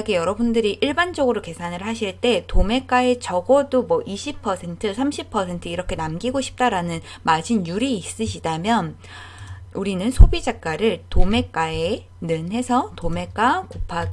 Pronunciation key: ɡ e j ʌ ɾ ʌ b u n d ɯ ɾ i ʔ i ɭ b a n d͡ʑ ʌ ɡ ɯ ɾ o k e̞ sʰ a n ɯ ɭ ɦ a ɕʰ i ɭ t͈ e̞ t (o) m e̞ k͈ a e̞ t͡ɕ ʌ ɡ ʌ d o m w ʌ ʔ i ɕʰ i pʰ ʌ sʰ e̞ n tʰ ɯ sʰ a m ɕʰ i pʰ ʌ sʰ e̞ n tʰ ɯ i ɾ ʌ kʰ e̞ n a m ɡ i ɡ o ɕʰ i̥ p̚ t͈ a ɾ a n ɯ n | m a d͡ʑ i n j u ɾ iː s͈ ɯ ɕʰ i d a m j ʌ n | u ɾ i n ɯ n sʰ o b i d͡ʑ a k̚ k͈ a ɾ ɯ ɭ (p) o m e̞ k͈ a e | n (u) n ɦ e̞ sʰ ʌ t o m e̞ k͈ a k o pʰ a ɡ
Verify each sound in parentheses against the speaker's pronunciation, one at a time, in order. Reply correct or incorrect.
correct, incorrect, incorrect

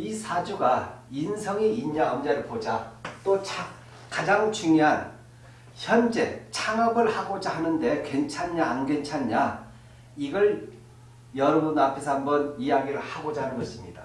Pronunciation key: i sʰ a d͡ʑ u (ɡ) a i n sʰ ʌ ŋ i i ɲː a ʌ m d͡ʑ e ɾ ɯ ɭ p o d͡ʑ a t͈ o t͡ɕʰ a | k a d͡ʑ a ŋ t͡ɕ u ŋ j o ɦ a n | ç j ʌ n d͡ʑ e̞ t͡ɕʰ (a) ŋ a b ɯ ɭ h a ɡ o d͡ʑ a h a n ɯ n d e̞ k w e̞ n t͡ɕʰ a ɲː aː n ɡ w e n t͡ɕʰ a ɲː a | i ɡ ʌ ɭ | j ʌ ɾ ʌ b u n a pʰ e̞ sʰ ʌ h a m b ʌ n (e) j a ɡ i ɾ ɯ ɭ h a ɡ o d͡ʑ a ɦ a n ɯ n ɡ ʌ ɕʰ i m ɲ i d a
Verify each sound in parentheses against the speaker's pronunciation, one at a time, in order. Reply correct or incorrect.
correct, correct, incorrect

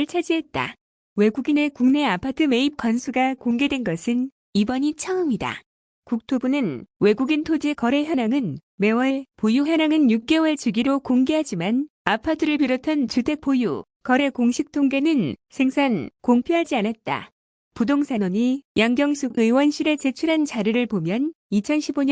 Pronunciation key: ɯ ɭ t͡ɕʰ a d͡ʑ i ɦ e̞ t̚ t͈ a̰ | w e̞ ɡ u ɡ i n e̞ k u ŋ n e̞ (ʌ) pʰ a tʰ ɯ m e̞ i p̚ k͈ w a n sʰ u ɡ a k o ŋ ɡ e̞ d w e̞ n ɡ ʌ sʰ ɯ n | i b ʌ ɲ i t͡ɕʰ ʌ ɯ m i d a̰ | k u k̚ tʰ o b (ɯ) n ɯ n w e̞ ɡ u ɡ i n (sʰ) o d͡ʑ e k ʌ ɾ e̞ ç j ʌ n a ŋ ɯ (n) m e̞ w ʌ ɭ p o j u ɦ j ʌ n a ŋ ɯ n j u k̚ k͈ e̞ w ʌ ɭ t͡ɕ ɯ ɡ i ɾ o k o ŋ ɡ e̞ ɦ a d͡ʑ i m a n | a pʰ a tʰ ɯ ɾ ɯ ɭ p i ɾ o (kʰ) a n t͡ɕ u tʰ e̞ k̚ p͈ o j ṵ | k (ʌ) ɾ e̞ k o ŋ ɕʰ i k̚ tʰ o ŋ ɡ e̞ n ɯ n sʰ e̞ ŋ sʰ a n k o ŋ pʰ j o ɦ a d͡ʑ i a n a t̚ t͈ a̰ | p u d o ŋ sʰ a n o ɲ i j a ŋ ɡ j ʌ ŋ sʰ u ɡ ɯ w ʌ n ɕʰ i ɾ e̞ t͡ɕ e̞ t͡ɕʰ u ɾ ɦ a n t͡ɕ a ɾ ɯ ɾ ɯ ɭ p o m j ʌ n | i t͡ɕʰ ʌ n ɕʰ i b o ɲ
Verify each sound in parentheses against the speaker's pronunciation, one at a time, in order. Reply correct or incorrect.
incorrect, incorrect, incorrect, correct, incorrect, correct

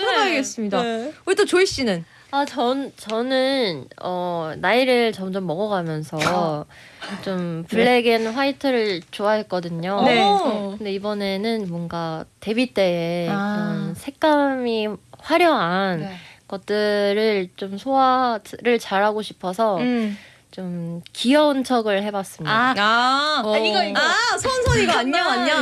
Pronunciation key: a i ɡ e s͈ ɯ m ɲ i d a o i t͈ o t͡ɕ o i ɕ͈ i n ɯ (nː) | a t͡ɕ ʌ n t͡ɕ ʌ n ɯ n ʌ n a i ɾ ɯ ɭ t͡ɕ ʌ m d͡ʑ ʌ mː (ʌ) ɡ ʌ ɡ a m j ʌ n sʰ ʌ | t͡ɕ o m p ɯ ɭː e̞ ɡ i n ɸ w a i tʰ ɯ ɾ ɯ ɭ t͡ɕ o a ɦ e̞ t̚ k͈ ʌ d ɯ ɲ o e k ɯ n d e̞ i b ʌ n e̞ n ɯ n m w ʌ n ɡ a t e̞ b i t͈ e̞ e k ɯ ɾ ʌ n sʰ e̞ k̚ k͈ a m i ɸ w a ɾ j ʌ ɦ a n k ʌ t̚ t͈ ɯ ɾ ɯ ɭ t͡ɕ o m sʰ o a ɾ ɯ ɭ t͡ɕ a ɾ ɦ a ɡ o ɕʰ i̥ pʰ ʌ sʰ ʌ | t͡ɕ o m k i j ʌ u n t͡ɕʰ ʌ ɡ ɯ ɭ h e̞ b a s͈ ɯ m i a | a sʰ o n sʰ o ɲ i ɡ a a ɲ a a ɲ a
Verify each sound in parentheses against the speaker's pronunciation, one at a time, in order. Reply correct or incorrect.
incorrect, correct

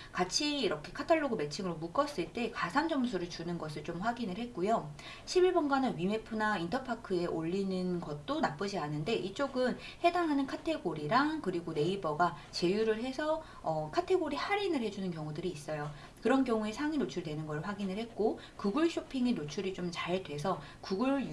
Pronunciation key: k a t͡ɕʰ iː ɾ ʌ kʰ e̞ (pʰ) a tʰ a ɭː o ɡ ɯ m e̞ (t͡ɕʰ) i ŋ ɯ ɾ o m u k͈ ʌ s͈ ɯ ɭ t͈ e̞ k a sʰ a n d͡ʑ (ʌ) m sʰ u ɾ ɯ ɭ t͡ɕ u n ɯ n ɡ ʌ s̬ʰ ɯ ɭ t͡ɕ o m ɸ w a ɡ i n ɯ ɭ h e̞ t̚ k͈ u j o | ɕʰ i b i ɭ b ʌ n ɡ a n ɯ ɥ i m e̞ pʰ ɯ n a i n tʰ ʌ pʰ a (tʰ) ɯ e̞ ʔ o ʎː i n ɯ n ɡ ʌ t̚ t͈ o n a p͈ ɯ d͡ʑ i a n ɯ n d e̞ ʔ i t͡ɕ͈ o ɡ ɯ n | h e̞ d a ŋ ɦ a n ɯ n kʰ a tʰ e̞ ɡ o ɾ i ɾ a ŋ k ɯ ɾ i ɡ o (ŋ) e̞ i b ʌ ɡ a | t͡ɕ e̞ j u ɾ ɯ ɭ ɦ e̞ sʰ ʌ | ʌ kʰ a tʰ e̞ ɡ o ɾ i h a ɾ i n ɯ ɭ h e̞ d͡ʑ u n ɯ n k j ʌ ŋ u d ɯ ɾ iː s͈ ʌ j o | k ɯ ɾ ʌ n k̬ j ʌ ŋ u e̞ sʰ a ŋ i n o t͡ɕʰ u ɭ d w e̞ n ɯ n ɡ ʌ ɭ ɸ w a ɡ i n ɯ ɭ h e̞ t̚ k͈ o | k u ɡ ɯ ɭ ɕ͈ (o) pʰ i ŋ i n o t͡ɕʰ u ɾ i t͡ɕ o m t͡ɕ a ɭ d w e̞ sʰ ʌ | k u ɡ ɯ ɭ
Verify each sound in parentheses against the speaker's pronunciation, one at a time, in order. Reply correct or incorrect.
incorrect, correct, correct, incorrect, incorrect, correct

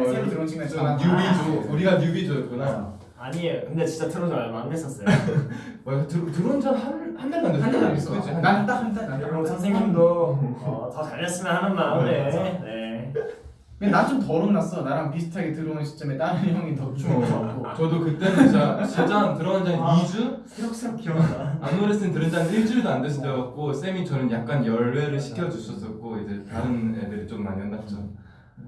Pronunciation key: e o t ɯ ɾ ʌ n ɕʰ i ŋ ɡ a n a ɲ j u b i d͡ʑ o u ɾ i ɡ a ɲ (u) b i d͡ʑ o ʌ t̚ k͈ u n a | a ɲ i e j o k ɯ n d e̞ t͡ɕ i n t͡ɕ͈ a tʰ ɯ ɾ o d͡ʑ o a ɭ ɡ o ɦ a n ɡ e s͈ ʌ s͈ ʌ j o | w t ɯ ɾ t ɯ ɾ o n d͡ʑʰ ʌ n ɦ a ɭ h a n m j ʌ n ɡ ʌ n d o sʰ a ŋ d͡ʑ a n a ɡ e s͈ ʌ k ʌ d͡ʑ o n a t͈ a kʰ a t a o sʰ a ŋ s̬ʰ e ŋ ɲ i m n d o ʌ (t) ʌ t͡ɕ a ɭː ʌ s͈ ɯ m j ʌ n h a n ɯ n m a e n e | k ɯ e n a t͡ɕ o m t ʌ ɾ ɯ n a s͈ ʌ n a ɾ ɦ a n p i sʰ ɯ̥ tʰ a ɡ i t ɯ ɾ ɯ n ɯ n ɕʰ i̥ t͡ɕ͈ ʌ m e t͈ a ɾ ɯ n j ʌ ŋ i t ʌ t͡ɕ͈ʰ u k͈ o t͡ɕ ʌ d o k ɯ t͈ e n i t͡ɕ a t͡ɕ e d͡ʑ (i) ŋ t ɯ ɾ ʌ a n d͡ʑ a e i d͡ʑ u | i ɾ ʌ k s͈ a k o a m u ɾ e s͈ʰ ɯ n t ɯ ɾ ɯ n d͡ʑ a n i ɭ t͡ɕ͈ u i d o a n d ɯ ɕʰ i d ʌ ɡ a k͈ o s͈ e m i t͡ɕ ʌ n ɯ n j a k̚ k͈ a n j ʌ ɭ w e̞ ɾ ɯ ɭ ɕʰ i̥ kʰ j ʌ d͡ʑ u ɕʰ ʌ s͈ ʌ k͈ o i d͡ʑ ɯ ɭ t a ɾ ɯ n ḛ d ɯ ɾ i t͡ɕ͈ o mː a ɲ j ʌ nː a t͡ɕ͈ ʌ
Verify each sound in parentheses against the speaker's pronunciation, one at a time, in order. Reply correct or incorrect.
correct, correct, incorrect

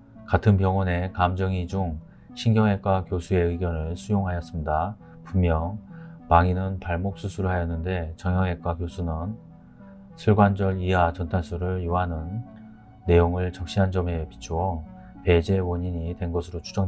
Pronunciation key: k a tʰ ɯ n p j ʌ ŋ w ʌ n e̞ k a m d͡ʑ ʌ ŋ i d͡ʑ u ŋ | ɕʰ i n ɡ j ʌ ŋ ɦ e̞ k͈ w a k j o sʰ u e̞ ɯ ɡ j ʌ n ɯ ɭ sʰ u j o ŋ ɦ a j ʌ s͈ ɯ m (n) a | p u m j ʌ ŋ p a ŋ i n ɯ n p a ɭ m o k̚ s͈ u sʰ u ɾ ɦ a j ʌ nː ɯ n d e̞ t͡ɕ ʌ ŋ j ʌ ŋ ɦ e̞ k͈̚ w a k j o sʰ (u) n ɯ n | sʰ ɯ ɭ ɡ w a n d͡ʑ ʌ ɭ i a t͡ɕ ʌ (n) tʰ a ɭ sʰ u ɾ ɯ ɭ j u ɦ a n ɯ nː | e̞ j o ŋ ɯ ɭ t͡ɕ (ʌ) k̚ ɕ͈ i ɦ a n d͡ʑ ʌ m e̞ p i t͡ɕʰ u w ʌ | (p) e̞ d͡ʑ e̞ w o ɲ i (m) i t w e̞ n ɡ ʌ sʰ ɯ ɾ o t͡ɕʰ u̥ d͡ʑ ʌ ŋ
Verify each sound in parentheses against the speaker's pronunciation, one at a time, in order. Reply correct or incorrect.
incorrect, correct, correct, correct, correct, incorrect

